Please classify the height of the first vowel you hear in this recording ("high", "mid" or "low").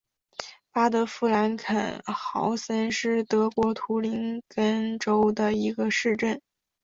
low